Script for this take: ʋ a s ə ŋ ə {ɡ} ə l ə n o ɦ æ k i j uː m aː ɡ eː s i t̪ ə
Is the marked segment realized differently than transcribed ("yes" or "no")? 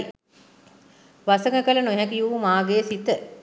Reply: yes